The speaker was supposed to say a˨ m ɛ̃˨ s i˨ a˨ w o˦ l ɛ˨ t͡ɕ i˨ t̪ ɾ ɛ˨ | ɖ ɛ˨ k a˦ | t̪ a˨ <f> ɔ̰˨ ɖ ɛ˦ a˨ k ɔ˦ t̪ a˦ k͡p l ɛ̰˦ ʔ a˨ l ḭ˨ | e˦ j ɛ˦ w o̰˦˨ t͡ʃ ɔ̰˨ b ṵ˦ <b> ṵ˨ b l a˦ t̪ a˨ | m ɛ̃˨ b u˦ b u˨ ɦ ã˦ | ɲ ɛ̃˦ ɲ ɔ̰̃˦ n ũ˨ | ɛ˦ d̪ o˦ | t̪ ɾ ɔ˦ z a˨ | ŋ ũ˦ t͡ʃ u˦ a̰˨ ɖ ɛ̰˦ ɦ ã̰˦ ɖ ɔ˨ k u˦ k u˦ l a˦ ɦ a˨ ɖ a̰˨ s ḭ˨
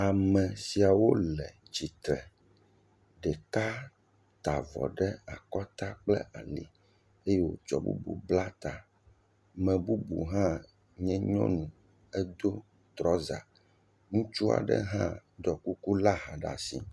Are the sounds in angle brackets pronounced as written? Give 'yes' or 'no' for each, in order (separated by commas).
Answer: no, yes